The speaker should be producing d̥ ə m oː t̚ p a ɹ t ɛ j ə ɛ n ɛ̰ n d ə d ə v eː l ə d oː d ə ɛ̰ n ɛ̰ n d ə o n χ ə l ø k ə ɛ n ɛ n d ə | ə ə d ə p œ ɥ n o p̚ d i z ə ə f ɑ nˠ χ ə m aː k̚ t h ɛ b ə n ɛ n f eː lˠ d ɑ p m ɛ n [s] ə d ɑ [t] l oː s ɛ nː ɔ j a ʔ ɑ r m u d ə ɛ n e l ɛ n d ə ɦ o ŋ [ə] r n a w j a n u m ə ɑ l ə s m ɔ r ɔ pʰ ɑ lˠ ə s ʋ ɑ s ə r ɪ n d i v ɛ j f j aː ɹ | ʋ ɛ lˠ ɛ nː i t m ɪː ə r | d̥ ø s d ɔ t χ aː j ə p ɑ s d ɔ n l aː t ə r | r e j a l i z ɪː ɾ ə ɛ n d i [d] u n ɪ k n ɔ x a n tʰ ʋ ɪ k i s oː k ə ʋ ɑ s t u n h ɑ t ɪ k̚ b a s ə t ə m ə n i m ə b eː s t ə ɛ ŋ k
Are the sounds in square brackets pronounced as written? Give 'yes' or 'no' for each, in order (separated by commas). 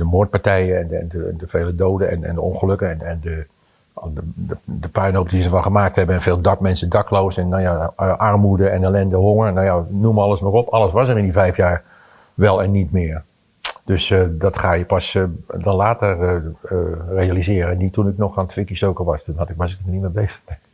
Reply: yes, no, yes, no